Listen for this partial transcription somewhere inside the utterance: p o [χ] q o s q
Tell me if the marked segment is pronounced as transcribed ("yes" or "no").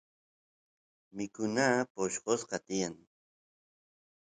no